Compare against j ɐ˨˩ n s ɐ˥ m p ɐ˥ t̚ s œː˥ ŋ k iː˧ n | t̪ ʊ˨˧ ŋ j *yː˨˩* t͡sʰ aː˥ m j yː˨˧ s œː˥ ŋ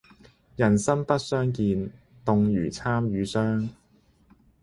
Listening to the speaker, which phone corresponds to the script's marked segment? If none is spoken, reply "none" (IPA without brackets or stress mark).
yː˨˩